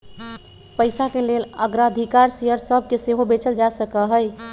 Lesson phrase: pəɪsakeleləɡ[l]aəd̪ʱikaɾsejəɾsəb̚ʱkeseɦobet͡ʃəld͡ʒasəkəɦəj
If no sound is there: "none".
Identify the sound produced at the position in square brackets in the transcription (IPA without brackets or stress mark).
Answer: ɾ